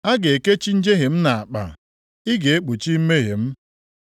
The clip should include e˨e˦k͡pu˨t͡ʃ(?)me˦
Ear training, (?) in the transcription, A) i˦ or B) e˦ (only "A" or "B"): A